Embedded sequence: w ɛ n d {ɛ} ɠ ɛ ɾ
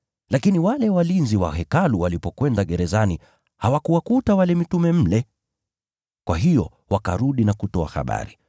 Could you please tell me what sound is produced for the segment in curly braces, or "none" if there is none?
a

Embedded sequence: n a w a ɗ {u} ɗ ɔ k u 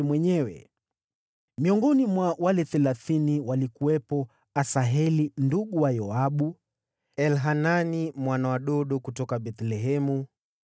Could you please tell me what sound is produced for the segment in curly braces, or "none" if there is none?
ɔ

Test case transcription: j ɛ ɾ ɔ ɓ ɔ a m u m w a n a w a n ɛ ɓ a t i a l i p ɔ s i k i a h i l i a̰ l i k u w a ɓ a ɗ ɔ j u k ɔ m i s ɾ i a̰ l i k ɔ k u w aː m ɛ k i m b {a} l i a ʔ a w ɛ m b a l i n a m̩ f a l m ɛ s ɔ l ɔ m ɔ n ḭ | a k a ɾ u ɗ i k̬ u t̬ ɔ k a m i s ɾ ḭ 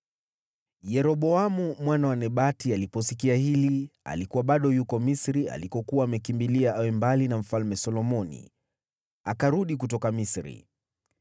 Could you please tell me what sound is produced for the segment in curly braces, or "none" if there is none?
i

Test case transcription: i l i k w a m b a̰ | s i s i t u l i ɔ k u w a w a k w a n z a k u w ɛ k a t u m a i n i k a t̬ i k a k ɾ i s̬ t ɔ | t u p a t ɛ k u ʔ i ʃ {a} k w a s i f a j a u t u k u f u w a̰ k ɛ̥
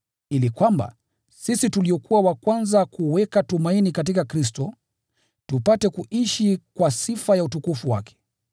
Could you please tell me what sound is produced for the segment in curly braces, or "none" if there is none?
i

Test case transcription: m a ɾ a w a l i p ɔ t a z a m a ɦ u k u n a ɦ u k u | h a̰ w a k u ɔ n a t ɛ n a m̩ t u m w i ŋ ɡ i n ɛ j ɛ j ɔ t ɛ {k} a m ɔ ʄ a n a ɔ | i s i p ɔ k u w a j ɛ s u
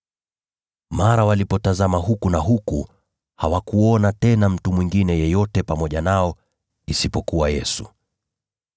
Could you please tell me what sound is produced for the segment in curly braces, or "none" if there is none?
p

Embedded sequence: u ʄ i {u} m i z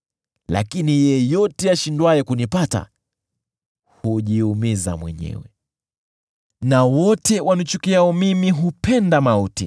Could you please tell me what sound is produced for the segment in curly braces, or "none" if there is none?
u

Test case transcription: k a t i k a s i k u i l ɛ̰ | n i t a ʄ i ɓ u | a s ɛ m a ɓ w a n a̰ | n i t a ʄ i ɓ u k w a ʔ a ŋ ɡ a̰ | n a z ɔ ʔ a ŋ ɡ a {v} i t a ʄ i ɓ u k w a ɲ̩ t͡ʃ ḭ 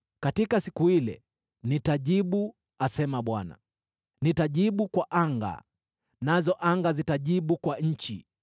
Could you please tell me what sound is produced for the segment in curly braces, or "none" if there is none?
z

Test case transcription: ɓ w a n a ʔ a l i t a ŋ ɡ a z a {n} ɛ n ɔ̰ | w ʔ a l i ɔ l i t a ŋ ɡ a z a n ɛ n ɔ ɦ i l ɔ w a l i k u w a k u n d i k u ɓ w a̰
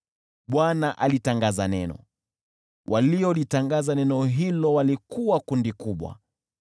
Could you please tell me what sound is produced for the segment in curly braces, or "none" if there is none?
n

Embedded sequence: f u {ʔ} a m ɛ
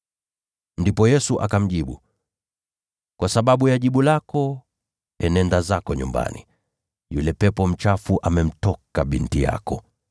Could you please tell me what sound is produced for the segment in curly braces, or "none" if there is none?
ʔ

